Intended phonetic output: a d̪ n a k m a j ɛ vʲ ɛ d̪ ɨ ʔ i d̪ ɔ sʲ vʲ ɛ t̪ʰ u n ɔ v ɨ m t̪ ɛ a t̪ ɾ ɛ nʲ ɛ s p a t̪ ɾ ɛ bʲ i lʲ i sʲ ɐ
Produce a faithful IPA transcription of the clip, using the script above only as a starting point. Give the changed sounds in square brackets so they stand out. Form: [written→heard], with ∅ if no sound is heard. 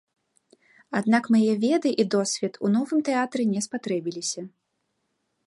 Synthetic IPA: a d̪ n a k m a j ɛ vʲ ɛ d̪ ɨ ʔ i d̪ ɔ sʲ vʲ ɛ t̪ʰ u n ɔ v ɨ m t̪ ɛ a t̪ ɾ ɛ nʲ ɛ s p a t̪ ɾ ɛ bʲ i lʲ i sʲ ɐ